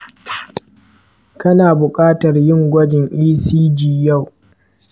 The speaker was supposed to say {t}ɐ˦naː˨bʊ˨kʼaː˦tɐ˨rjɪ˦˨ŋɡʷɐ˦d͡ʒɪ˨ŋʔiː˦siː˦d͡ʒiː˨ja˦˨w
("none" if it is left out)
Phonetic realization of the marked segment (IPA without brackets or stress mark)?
k